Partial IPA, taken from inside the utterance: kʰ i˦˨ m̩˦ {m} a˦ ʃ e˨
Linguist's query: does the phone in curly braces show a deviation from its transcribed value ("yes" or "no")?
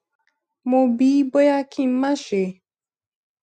no